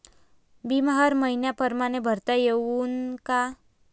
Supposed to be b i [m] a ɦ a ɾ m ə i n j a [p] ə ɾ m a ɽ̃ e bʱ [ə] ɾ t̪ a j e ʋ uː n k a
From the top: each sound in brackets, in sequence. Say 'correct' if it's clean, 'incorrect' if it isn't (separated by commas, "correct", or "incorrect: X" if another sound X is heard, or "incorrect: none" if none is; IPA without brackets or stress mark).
correct, correct, correct